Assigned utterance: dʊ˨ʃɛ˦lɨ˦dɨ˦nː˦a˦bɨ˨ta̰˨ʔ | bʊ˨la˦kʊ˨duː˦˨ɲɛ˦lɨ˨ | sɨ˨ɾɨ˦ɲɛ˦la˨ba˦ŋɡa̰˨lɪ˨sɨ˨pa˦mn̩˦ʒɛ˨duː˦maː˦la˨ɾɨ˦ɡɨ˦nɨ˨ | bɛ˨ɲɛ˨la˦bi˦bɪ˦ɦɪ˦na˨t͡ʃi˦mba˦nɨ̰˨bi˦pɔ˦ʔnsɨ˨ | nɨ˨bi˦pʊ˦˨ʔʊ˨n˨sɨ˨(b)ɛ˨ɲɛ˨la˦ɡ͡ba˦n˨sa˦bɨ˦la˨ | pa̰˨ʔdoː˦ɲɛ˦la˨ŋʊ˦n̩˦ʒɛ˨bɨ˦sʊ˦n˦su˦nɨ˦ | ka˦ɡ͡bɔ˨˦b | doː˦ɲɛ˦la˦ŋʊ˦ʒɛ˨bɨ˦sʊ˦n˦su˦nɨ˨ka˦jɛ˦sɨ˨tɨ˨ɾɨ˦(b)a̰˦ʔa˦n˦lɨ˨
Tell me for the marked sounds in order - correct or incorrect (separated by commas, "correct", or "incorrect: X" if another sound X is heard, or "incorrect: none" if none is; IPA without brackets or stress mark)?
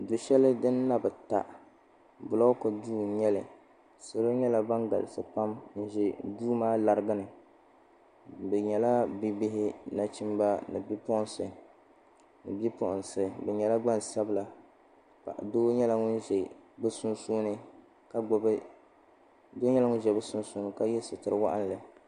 correct, incorrect: w